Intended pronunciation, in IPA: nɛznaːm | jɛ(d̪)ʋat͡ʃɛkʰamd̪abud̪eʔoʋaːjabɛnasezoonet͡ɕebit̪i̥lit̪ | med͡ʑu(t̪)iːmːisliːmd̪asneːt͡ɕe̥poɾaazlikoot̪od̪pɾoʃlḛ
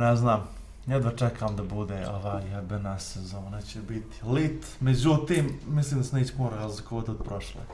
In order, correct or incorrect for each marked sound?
correct, correct

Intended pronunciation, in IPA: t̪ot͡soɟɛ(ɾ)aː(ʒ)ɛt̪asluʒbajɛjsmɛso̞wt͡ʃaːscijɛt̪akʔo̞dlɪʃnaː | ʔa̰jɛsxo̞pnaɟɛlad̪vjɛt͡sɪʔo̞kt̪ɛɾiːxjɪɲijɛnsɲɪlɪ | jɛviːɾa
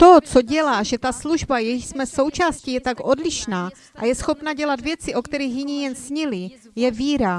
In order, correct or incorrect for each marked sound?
incorrect, correct

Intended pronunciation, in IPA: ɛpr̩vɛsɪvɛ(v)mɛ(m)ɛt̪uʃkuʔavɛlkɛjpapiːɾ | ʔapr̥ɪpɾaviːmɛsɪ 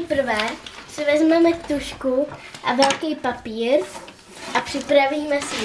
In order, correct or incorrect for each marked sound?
incorrect, correct

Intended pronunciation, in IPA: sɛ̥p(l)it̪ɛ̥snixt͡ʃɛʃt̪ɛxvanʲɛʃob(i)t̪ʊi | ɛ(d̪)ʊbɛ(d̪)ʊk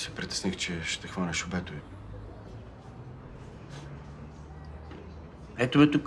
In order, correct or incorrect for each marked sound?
incorrect, incorrect, incorrect, incorrect

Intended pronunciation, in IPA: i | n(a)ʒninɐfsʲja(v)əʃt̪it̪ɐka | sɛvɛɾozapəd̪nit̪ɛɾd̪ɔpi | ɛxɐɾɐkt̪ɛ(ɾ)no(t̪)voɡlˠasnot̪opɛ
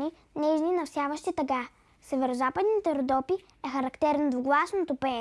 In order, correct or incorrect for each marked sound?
incorrect, correct, correct, incorrect

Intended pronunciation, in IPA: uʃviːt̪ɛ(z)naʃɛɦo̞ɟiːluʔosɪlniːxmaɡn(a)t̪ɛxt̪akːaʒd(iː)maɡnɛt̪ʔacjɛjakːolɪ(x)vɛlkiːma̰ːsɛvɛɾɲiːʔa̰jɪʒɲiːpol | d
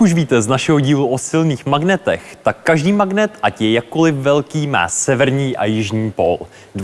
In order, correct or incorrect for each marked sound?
correct, incorrect, correct, incorrect

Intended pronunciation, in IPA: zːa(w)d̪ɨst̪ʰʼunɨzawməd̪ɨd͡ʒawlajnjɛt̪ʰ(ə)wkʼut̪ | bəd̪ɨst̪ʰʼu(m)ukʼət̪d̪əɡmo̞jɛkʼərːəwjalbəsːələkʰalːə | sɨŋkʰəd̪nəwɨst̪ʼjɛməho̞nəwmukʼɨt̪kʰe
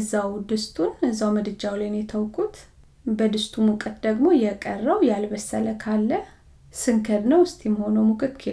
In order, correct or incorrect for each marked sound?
correct, correct, correct

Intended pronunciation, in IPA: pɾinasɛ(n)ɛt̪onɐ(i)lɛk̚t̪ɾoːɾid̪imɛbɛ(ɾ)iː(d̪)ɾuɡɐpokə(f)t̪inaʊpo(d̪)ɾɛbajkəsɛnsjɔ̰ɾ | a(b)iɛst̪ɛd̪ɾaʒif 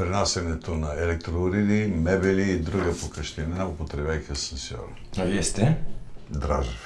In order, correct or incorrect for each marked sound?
correct, incorrect, incorrect, correct, incorrect, incorrect, incorrect

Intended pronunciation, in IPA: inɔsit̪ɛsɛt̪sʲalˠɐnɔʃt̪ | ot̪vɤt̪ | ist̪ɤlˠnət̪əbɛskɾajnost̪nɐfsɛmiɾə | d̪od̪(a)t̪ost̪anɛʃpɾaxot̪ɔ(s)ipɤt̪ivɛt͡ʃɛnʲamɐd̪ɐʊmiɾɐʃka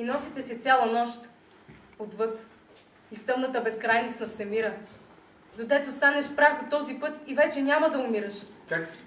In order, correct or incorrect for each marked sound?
incorrect, incorrect

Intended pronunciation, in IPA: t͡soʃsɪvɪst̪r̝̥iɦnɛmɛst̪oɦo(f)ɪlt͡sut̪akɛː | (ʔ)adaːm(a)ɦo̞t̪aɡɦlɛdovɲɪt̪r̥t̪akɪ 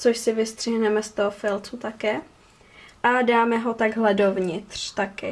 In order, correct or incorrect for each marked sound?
correct, correct, incorrect

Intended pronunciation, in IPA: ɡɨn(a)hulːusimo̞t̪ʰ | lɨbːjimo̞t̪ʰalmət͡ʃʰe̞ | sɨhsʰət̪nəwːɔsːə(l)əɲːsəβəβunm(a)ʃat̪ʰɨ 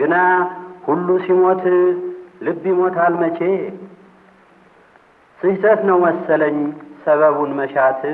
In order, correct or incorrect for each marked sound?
correct, correct, incorrect

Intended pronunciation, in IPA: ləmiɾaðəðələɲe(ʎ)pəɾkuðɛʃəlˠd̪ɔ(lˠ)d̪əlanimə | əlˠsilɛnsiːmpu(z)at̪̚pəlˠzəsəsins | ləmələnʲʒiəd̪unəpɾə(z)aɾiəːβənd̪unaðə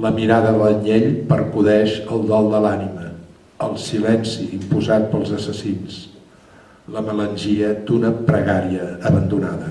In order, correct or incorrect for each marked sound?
correct, correct, correct, incorrect

